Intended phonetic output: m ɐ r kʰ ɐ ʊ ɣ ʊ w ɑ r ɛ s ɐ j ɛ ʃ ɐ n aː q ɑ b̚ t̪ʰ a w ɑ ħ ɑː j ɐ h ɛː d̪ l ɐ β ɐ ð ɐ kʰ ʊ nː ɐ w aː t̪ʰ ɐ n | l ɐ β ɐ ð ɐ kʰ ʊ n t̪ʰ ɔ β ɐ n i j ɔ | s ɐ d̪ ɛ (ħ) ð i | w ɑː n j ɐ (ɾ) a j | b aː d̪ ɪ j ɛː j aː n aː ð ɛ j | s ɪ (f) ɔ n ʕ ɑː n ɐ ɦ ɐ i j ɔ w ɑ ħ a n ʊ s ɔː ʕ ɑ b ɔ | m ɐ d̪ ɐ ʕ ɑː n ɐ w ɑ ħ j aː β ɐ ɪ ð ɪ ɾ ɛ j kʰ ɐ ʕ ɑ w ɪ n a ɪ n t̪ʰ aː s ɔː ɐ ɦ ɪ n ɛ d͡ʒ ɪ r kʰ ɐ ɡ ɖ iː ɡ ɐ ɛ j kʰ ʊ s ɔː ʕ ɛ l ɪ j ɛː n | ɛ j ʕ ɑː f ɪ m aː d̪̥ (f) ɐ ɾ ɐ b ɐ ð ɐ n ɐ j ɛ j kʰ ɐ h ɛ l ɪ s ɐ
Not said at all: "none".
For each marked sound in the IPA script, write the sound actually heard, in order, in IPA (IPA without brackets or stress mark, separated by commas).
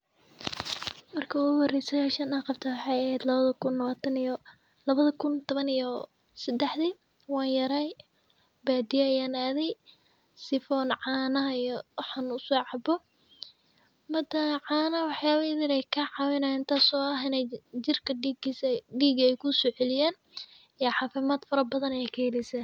ħ, ɾ, f, f